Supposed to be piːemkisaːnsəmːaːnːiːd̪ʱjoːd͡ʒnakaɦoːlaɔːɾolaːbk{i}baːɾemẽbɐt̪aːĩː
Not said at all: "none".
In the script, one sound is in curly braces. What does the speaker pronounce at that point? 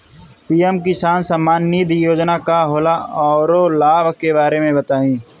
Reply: e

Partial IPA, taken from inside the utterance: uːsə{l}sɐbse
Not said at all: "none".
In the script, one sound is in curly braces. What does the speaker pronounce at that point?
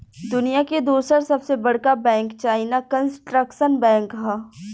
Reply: ɾ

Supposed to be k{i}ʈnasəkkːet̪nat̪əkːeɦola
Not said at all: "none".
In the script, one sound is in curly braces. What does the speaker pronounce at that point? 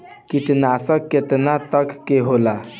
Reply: i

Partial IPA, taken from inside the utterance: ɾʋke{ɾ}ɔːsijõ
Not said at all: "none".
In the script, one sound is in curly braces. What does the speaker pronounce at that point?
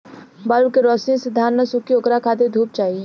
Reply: ɾ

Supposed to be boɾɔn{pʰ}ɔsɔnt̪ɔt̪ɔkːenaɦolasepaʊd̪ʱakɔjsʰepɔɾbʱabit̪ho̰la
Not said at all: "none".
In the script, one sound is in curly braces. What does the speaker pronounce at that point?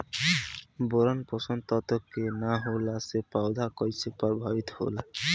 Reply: p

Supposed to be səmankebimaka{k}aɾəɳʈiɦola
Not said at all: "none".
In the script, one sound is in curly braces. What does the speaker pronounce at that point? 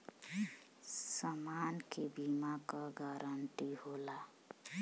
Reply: ɡ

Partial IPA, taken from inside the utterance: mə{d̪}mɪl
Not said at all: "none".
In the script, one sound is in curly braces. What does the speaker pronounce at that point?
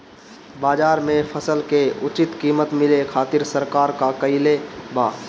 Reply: t̪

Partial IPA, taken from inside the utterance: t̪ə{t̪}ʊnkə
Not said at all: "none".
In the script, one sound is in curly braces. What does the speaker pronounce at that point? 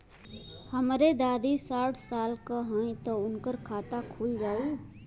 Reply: none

